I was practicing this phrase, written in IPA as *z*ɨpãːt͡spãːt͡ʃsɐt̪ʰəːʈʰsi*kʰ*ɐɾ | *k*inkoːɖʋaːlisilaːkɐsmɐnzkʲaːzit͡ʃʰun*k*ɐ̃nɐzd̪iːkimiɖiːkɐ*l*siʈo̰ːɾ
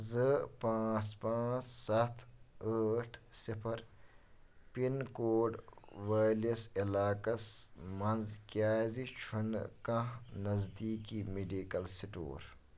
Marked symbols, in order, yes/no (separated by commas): yes, no, no, yes, yes